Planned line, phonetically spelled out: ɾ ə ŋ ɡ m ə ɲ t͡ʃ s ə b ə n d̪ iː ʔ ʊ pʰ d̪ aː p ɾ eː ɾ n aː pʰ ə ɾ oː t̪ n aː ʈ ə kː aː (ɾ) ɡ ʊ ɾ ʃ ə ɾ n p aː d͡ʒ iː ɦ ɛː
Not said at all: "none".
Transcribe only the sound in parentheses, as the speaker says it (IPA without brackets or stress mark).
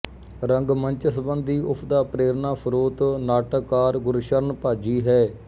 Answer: ɾ